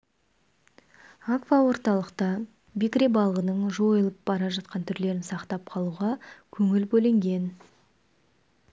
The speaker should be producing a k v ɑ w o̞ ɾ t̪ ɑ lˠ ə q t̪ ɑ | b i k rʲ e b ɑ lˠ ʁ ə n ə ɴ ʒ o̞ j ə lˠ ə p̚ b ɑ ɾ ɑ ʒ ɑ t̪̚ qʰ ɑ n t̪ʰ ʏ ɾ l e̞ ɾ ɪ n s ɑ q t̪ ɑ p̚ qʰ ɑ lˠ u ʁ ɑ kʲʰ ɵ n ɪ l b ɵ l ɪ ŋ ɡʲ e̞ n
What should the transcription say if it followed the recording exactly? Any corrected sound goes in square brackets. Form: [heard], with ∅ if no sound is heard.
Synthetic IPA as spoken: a k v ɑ w o̞ ɾ t̪ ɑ lˠ ə q t̪ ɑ | b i k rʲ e b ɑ lˠ ʁ ə n ə ɴ ʒ o̞ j ə lˠ ə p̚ b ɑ ɾ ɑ ʒ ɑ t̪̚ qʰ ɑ n t̪ʰ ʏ ɾ l e̞ ɾ ɪ n s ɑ q t̪ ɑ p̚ qʰ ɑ lˠ u ʁ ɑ kʲʰ ɵ [ŋ] ɪ l b ɵ l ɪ ŋ ɡʲ e̞ n